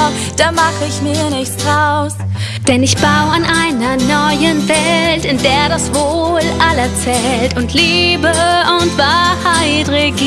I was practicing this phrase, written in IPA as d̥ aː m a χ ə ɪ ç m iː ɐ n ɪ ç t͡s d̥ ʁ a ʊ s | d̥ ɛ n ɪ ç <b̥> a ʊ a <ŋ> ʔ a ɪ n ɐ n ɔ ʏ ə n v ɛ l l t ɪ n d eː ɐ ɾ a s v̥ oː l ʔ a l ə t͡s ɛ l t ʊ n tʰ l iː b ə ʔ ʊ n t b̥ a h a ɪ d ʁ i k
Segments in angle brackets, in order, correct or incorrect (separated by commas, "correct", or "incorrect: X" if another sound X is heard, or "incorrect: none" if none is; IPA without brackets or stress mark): correct, incorrect: n